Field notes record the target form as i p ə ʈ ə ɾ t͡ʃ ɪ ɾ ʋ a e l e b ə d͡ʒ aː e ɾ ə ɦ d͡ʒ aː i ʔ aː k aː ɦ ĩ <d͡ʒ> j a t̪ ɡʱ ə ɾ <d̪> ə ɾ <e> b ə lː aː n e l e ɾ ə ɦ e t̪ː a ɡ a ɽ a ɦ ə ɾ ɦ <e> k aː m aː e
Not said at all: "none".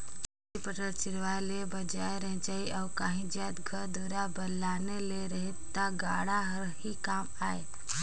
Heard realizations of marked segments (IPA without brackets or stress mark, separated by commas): d͡ʒ, d̪, a, i